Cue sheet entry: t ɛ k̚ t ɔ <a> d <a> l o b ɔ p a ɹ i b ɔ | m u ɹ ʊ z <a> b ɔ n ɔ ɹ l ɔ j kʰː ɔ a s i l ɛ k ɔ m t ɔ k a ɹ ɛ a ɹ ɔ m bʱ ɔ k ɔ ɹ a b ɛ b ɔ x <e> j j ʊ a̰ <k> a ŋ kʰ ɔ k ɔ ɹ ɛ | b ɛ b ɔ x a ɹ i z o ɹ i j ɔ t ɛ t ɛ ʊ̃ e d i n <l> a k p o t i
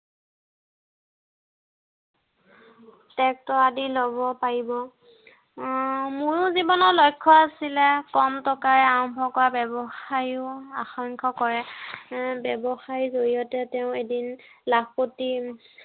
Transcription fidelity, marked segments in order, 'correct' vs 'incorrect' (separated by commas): correct, incorrect, incorrect, incorrect, incorrect, correct